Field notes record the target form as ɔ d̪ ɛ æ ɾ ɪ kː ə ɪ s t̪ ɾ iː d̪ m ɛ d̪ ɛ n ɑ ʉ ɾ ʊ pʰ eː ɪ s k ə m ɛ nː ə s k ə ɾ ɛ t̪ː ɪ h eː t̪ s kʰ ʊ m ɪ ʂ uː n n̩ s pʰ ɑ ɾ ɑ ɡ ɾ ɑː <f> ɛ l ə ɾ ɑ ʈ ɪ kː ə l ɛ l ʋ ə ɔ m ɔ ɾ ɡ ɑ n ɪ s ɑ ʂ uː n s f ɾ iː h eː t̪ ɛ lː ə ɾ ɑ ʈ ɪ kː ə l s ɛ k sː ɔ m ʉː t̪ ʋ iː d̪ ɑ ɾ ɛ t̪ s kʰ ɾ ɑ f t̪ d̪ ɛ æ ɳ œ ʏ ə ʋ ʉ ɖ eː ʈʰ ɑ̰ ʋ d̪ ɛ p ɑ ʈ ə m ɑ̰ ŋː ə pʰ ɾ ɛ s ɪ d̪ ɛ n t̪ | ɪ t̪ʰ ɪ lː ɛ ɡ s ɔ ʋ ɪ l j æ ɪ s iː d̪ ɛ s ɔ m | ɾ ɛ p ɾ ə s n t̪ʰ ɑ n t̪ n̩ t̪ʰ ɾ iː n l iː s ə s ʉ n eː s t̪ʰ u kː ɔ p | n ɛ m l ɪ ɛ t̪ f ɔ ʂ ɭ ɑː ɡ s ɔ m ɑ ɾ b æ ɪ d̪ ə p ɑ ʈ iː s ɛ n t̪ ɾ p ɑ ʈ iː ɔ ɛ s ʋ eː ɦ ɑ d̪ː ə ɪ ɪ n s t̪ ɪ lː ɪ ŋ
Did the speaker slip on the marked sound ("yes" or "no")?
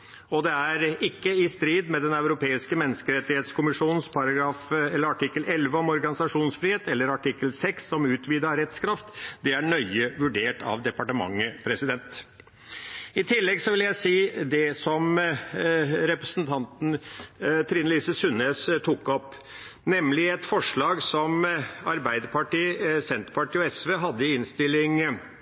no